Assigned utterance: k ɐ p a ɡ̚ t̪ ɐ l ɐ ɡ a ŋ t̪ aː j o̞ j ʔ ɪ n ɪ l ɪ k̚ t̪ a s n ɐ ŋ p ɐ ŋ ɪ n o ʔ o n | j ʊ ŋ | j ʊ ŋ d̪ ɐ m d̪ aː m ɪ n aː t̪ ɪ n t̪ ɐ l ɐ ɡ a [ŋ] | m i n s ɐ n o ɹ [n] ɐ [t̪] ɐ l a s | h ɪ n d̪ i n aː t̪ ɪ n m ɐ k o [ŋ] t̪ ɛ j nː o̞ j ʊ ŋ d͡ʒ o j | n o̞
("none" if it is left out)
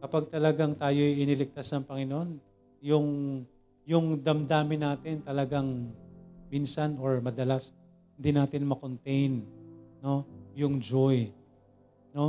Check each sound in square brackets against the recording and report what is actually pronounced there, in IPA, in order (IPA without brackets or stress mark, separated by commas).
ŋ, m, d̪, n